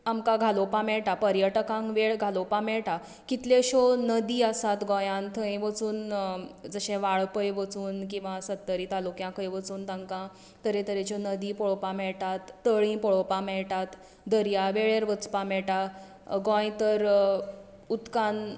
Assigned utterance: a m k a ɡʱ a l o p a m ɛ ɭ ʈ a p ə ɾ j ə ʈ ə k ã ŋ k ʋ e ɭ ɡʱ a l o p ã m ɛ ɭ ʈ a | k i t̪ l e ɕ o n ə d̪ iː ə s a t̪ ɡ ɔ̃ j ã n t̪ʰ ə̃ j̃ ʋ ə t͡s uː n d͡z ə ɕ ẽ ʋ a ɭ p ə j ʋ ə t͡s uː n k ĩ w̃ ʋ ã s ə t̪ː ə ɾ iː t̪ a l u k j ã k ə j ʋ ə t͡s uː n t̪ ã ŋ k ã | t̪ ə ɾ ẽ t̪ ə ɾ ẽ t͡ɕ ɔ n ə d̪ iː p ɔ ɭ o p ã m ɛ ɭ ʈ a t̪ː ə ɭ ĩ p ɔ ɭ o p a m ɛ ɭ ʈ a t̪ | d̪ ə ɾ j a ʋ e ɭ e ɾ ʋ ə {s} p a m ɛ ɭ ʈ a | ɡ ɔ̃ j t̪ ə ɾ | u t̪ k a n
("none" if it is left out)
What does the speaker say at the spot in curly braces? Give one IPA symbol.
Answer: t͡s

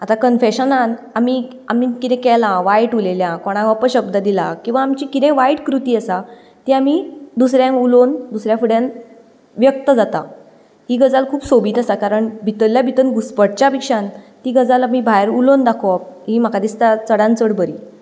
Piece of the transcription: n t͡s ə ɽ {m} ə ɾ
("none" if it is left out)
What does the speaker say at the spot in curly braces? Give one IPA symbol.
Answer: b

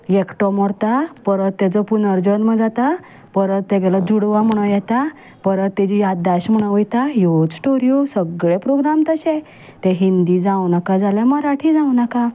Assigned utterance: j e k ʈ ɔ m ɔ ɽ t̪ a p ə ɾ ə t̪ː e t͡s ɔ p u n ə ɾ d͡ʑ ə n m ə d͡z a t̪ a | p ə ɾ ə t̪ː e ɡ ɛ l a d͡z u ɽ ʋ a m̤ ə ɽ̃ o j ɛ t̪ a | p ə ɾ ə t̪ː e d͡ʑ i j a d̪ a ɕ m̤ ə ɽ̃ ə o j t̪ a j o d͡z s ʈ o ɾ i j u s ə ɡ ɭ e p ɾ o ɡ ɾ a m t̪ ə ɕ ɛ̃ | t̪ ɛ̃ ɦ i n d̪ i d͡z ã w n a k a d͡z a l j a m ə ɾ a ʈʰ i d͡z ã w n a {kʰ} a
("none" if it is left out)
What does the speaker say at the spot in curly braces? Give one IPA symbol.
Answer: k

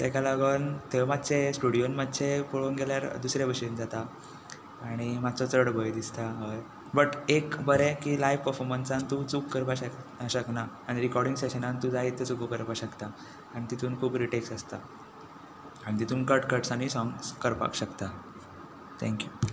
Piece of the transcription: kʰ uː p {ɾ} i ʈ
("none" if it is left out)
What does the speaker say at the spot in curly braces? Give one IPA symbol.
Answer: ɾ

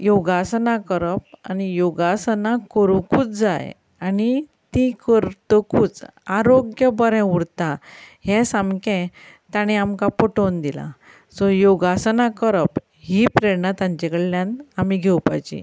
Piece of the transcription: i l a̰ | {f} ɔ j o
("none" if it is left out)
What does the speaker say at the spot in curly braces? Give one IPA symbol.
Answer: s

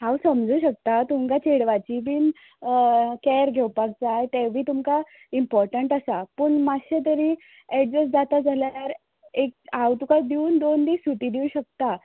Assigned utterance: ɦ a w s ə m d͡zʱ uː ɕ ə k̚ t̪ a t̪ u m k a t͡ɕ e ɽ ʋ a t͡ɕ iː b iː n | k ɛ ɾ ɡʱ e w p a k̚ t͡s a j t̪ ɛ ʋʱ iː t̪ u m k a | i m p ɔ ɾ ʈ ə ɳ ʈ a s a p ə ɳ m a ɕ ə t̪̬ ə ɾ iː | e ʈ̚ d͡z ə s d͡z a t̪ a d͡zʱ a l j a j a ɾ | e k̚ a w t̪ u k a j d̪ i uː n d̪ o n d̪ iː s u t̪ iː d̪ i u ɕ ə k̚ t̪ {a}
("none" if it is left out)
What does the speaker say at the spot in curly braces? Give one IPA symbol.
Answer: a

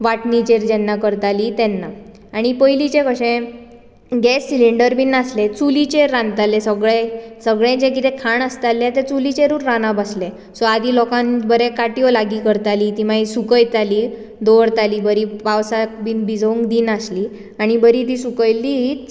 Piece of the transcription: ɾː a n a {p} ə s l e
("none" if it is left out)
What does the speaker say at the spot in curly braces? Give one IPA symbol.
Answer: b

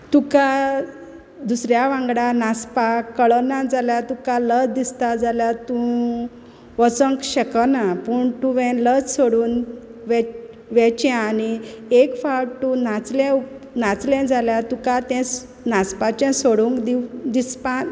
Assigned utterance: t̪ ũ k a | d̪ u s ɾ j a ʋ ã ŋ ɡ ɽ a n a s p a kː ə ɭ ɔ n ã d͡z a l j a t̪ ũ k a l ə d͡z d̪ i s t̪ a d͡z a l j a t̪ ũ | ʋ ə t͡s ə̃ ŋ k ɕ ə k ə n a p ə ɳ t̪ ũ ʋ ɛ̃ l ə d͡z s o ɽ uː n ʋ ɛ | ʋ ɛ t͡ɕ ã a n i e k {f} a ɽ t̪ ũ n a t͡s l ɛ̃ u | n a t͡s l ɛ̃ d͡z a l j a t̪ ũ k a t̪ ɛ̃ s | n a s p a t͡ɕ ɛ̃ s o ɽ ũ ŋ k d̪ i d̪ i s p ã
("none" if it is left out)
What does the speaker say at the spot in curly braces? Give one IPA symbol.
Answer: f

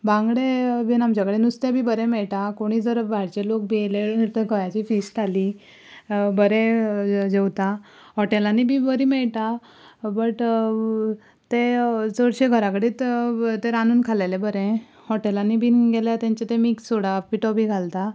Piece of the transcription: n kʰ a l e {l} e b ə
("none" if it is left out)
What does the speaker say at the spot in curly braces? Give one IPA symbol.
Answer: l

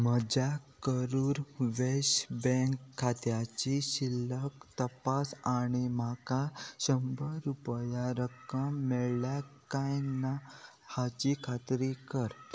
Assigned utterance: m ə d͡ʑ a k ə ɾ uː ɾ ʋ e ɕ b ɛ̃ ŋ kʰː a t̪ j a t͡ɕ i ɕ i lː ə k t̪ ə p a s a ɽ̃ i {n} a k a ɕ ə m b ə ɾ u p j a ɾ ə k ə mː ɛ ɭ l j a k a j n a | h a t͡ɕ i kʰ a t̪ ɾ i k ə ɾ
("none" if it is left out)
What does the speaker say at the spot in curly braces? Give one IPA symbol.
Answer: m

